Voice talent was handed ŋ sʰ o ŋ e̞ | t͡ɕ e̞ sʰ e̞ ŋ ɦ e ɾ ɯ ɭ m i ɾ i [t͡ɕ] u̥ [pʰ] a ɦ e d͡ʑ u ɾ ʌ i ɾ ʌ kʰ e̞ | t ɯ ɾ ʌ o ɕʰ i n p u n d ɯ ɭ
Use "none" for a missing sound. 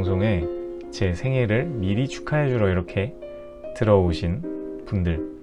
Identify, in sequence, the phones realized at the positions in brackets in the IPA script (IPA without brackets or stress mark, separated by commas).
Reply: t͡ɕʰ, kʰ